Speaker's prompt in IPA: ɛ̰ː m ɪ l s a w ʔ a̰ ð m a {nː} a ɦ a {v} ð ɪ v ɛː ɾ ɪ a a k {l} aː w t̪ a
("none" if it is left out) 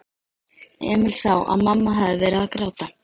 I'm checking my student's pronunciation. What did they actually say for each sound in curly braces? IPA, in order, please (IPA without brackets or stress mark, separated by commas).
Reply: mː, none, ɾ